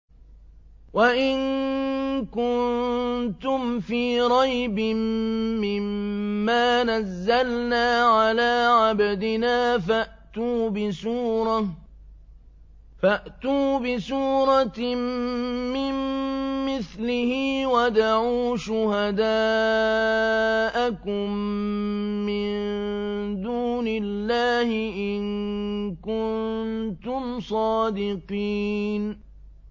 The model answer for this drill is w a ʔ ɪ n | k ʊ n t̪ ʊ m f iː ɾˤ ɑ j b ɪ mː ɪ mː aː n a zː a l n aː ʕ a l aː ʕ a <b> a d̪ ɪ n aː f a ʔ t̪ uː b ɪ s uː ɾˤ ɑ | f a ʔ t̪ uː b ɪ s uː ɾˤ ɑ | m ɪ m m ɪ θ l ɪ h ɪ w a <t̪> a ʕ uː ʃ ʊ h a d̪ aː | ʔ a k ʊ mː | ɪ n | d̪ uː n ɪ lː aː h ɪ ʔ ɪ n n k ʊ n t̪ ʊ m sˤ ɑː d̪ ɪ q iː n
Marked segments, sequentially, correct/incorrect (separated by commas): correct, incorrect